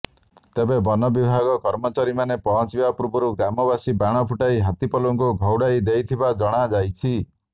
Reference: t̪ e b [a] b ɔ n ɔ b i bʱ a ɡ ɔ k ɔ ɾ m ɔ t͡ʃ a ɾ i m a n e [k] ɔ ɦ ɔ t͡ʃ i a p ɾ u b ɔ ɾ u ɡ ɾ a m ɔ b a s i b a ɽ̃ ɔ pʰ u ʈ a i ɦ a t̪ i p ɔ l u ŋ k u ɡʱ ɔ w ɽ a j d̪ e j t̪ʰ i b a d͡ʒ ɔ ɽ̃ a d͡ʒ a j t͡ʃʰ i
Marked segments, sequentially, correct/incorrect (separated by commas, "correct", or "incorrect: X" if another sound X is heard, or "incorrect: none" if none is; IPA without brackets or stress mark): incorrect: e, incorrect: p